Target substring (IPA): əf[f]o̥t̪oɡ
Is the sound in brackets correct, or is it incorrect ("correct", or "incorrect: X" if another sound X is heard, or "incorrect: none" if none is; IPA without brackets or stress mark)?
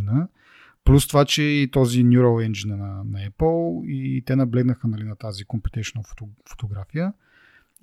correct